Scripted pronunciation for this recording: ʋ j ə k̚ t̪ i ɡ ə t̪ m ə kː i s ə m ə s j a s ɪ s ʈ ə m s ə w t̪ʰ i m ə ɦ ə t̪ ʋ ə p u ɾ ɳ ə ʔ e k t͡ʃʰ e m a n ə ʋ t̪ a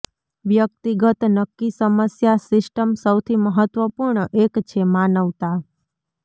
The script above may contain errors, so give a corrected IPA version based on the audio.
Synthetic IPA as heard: ʋ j ə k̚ t̪ i ɡ ə t̪ n ə kː i s ə m ə s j a s ɪ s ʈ ə m s ə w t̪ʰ i m ə ɦ ə t̪ ʋ ə p u ɾ ɳ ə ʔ e k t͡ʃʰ e m a n ə ʋ t̪ a